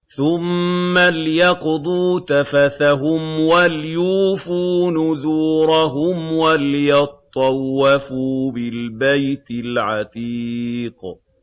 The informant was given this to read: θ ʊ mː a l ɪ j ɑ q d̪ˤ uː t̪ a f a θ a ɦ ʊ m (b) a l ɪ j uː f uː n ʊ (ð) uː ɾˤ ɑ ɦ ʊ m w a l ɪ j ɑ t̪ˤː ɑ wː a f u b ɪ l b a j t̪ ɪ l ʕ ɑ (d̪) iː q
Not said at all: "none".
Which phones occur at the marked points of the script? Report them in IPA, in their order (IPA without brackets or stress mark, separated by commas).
w, ð, t̪